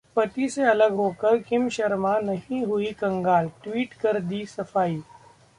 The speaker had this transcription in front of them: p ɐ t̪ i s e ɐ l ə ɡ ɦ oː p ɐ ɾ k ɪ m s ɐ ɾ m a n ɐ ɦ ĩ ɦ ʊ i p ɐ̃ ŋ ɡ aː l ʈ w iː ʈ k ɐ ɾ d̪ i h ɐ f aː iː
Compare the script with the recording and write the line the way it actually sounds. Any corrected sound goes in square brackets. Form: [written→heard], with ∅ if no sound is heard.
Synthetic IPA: p ɐ t̪ i s e ɐ l ə ɡ ɦ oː [p→k] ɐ ɾ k ɪ m [s→ʃ] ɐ ɾ m a n ɐ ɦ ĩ ɦ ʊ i [p→k] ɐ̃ ŋ ɡ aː l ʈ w iː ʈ k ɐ ɾ d̪ i [h→s] ɐ f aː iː